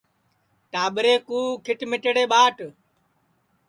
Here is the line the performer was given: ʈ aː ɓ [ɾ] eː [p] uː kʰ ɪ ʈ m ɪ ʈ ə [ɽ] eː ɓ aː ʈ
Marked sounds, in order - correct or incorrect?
correct, incorrect, correct

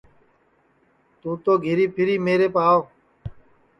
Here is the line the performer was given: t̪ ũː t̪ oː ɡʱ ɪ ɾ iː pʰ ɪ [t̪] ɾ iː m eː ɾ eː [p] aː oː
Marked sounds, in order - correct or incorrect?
incorrect, correct

